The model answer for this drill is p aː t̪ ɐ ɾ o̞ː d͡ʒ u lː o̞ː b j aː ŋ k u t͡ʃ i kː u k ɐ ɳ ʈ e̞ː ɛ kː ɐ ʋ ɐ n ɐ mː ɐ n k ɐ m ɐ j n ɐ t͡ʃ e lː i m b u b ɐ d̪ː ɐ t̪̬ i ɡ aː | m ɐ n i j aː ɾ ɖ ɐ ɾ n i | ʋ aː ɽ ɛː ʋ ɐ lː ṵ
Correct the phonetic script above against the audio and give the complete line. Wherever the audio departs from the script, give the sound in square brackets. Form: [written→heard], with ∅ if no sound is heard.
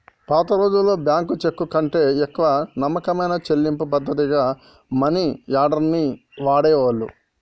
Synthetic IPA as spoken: p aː t̪ ɐ ɾ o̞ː d͡ʒ u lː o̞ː b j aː ŋ k u t͡ʃ [i→e] kː u k ɐ ɳ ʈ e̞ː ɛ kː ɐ ʋ ɐ n ɐ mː ɐ [n→∅] k ɐ m ɐ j n ɐ t͡ʃ e lː i m [b→p] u [b→p] ɐ d̪ː ɐ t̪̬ i ɡ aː | m ɐ n i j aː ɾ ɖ ɐ ɾ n i | ʋ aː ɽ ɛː ʋ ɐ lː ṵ